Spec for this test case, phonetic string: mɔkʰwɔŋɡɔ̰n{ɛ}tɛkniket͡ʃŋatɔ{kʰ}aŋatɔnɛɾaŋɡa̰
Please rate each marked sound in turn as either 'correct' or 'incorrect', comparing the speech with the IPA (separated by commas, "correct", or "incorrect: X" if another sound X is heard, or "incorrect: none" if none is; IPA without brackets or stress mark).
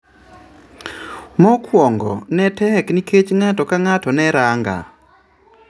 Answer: correct, incorrect: k